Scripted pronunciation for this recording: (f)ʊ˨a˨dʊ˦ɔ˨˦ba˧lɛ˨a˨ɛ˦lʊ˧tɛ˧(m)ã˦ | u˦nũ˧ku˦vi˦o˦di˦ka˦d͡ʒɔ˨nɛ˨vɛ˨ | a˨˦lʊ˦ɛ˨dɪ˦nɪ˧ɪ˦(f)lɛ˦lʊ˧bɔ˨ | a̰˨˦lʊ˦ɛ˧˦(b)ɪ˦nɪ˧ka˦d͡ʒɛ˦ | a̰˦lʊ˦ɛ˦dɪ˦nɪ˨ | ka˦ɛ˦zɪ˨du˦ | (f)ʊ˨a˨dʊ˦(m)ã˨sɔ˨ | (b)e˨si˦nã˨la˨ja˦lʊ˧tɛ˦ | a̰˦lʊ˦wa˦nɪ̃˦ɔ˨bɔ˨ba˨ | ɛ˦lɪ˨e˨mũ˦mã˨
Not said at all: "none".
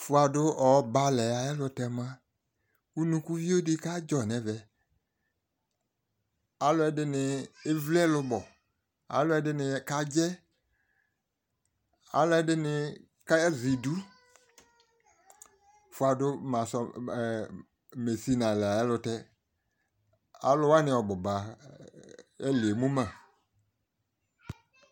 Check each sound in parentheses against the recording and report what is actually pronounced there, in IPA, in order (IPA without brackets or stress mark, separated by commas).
f, m, v, d, f, m, m